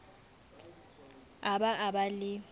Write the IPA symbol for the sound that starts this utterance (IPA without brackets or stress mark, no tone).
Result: a